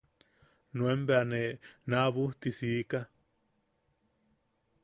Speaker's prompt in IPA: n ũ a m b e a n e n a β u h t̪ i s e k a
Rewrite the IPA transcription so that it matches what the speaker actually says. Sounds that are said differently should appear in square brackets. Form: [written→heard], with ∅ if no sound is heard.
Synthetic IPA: n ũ [a→e] m b e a n e n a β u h t̪ i s [e→i] k a

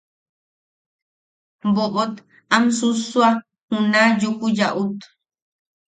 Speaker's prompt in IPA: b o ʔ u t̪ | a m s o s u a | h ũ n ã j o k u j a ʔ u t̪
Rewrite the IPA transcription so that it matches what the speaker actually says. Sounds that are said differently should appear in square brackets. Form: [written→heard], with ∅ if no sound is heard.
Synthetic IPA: b o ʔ [u→o] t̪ | a m s [o→u] s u a | h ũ n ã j [o→u] k u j a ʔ u t̪

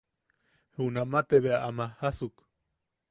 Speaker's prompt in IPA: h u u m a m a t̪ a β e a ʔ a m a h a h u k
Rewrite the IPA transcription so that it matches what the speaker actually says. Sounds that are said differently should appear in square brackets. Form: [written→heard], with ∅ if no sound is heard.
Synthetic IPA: h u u [m→n] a m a t̪ [a→e] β e a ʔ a m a h a [h→s] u k

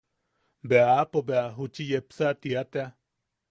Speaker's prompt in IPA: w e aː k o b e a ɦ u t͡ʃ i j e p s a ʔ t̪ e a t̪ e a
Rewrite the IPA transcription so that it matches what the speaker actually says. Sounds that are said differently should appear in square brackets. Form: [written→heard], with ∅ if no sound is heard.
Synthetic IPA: [w→b] e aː [k→p] o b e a ɦ u t͡ʃ i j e p s a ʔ t̪ [e→i] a t̪ e a

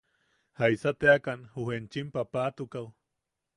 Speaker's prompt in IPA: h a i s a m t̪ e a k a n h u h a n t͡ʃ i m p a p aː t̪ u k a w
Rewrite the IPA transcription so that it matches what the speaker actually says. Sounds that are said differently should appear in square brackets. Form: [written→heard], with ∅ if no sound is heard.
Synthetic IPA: h a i s a [m→∅] t̪ e a k a n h u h [a→e] n t͡ʃ i m p a p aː t̪ u k a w

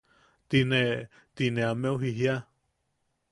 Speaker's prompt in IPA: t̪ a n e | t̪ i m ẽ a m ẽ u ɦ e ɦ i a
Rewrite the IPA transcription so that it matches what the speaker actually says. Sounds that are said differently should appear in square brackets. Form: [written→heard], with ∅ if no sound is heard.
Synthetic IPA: t̪ [a→i] n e | t̪ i [m→n] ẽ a m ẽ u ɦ [e→i] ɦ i a

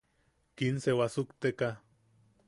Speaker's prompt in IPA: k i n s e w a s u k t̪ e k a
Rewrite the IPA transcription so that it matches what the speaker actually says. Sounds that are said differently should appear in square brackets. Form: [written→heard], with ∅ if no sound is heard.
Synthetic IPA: k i n s e w a s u k t̪ e k a

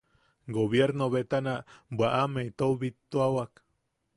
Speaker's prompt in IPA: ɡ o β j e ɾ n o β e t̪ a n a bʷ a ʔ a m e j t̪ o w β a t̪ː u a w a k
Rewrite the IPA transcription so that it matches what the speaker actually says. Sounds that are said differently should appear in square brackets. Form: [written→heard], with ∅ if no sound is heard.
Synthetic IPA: ɡ o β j e ɾ n o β e t̪ a n a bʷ a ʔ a m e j t̪ o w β [a→i] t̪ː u a w a k

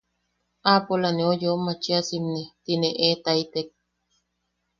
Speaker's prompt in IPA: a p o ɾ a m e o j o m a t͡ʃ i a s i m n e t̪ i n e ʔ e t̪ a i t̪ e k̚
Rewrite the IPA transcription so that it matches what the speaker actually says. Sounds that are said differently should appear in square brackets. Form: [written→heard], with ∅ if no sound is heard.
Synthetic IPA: a p o [ɾ→l] a [m→n] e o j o m a t͡ʃ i a s i m n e t̪ i n e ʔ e t̪ a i t̪ e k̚

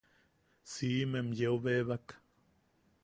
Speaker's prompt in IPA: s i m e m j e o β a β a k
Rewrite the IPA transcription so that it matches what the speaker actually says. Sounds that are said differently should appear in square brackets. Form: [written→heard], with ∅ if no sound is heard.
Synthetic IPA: s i m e m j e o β [a→e] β a k

